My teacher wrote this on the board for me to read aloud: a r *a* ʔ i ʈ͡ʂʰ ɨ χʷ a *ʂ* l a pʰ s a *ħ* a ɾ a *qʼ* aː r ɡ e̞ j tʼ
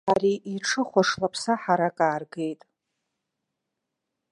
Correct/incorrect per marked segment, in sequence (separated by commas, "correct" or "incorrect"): incorrect, correct, correct, incorrect